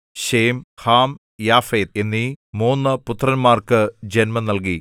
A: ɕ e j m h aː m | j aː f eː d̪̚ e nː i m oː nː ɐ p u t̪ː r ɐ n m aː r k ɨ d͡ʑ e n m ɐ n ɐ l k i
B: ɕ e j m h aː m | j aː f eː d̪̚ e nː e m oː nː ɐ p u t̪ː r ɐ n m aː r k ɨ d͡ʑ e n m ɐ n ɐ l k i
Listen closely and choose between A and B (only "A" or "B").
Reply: A